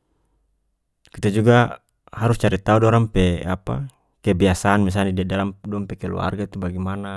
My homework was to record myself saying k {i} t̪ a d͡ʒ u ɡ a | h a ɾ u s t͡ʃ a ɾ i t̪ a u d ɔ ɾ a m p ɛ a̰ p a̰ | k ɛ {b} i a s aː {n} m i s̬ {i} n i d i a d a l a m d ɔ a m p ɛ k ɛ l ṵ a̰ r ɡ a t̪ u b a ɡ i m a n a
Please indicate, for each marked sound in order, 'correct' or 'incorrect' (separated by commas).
correct, correct, correct, incorrect